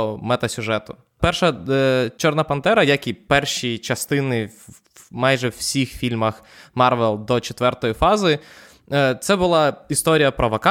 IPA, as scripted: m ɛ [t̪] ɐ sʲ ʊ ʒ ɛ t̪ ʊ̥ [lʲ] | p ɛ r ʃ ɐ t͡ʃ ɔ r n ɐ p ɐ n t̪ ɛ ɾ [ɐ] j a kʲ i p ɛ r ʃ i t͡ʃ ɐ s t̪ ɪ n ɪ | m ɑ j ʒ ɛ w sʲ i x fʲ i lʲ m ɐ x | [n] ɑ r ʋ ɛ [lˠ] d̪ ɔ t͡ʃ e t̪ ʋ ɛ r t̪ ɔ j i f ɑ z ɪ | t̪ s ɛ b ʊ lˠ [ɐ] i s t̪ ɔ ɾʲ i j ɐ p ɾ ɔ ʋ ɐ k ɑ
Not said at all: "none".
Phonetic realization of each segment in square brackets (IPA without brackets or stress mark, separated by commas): t̪, none, ɐ, m, lˠ, ɑ